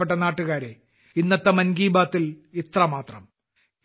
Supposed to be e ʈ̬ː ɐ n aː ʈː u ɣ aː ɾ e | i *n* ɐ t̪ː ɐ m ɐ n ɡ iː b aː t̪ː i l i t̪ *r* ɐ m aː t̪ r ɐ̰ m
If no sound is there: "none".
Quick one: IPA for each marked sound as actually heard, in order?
nː, r

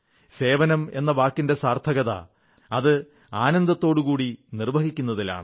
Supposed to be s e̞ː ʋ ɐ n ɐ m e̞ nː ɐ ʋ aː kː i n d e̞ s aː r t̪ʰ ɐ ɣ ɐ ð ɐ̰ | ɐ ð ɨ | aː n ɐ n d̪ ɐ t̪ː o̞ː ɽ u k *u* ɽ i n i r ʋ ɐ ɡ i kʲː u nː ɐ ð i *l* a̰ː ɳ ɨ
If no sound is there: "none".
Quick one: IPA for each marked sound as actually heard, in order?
uː, l

